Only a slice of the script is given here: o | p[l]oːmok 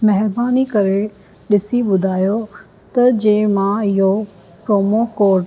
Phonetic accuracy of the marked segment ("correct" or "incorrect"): incorrect